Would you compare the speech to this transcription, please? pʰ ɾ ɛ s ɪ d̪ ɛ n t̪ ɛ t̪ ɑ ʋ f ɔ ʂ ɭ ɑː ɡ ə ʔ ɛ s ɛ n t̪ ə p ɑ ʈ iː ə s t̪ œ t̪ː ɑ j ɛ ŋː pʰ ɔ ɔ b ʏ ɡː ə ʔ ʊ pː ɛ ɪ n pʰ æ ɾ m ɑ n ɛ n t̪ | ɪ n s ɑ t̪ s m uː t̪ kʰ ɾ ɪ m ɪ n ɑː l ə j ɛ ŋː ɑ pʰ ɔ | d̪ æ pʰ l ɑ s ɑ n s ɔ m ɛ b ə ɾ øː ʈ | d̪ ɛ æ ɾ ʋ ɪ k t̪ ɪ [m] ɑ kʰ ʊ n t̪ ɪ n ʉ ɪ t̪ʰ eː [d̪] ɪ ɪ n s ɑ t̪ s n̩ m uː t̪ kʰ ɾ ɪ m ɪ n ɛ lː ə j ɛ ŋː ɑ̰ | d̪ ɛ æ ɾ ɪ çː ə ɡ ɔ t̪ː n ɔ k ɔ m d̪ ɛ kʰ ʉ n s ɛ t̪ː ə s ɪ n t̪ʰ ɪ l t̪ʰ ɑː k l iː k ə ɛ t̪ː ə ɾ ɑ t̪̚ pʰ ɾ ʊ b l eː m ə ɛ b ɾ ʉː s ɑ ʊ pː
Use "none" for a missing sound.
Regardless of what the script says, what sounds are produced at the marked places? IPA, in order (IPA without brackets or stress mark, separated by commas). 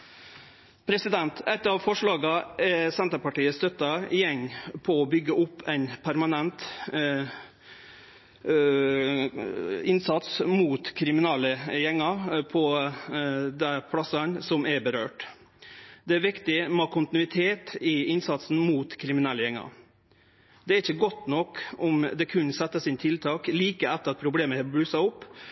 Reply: m, t̪